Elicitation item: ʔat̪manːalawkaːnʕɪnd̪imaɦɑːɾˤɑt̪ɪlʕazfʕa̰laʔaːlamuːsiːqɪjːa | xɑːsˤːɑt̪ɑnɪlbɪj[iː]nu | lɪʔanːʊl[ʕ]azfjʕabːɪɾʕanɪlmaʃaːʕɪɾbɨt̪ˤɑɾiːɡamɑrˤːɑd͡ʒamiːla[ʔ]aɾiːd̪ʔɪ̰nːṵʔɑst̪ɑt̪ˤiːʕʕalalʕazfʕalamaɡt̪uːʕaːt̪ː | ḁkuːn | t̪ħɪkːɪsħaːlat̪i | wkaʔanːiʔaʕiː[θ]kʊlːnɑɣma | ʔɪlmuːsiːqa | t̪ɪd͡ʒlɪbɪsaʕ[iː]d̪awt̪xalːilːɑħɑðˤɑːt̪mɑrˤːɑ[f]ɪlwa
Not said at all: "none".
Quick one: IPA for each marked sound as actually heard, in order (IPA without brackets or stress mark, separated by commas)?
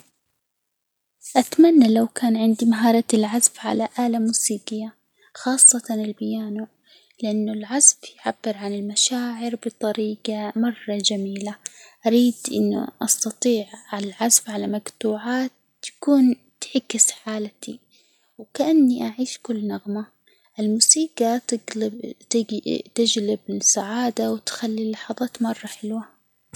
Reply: aː, ʕ, ʔ, ʃ, aː, ħ